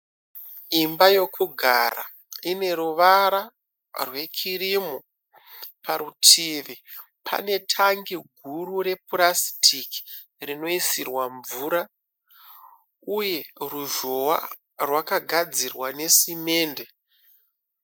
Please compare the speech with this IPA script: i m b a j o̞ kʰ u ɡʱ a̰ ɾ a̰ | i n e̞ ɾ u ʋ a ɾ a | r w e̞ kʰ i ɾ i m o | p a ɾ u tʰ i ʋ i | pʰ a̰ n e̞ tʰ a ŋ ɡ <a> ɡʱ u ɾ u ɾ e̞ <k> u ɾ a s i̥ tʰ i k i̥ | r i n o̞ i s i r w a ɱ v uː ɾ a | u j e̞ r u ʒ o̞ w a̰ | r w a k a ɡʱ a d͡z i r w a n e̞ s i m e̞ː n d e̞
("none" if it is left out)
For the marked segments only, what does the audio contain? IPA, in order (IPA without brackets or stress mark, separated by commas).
i, p